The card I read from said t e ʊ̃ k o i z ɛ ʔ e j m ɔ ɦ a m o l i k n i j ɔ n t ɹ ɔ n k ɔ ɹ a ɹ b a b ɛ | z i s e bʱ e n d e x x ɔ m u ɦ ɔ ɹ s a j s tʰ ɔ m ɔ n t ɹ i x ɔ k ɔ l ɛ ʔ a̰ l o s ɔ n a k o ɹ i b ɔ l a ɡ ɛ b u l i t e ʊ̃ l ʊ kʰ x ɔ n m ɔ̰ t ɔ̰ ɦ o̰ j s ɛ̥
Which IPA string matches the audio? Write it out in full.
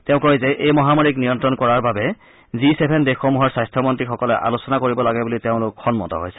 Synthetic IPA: t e ʊ̃ k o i z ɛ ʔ e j m ɔ ɦ a m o ɹ i k n i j ɔ n t ɹ ɔ n k ɔ ɹ a ɹ b a b ɛ | z i s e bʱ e n d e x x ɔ m u ɦ ɔ ɹ s a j s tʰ ɔ m ɔ n t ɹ i x ɔ k ɔ l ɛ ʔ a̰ l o s ɔ n a k o ɹ i b ɔ l a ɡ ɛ b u l i t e ʊ̃ l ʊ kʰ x ɔ n m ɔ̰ t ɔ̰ ɦ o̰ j s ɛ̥